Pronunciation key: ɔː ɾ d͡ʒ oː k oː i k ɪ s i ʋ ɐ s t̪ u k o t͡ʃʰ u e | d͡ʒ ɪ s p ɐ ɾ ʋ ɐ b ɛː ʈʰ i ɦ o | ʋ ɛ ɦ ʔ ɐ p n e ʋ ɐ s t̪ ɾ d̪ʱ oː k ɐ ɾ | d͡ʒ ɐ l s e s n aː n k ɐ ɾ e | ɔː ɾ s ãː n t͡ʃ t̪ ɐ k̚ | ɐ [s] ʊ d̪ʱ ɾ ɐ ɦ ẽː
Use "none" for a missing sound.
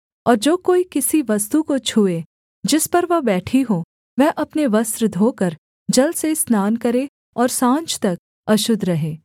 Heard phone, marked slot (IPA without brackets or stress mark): ʃ